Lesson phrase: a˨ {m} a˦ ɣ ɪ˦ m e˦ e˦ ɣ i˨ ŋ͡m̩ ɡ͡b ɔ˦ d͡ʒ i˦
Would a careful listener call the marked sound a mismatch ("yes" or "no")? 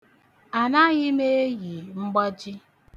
yes